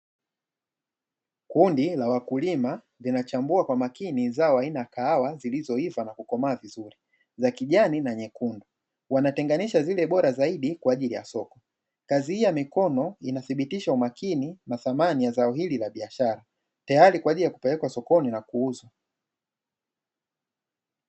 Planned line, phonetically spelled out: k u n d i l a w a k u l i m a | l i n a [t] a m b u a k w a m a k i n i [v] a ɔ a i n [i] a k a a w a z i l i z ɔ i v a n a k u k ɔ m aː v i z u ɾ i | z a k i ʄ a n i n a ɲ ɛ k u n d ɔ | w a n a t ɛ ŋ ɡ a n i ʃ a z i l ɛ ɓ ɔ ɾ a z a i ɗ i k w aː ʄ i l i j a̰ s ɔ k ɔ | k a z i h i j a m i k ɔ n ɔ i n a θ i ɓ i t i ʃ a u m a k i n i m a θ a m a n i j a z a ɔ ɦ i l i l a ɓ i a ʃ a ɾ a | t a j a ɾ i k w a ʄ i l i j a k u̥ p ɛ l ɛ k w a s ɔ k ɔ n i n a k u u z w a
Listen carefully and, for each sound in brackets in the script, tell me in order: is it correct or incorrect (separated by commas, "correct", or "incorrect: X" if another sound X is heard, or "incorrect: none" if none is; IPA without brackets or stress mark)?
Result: incorrect: t͡ʃ, incorrect: z, incorrect: a